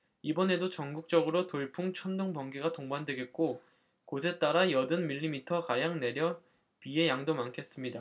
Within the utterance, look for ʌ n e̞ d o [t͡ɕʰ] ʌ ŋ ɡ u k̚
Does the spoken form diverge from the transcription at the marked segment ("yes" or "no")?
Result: yes